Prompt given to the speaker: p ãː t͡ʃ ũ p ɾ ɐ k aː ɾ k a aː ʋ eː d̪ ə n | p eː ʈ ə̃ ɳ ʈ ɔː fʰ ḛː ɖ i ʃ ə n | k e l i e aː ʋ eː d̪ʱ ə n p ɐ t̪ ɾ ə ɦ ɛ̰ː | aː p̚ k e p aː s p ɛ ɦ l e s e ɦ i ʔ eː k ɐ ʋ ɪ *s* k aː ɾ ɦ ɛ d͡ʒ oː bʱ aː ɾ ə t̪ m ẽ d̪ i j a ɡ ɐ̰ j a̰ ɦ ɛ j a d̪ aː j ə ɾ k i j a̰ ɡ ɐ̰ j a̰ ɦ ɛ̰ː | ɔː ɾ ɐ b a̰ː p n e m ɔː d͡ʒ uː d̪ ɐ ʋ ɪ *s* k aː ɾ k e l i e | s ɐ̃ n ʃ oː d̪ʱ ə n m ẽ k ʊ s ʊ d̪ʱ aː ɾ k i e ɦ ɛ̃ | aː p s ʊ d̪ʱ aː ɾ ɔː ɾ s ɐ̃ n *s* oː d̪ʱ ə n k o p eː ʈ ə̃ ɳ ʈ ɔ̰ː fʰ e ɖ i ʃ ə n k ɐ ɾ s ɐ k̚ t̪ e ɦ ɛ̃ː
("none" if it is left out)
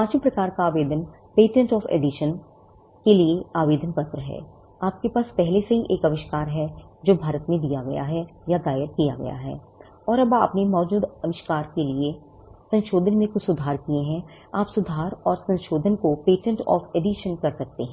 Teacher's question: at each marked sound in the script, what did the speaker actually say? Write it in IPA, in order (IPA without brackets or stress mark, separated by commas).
ʃ, ʃ, ʃ